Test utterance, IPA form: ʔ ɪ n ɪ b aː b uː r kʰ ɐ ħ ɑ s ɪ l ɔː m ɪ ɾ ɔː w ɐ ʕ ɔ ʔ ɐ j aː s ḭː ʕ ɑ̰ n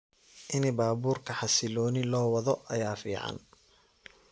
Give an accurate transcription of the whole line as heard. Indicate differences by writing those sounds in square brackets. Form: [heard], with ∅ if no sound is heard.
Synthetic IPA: ʔ ɪ n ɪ b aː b uː r kʰ ɐ ħ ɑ s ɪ l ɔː [n] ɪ [l] ɔː w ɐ [ð] ɔ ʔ ɐ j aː [f] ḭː ʕ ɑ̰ n